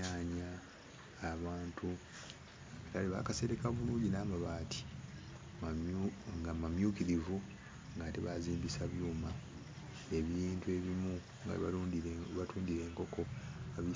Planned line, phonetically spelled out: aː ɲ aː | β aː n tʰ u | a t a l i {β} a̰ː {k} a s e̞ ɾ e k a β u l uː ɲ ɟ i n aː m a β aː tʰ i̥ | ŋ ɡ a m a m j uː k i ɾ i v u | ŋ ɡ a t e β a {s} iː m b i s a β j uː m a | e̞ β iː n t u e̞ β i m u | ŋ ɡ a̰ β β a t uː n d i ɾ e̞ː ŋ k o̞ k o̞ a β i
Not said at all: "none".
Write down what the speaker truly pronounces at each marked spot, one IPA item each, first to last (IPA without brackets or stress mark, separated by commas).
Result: β, k, z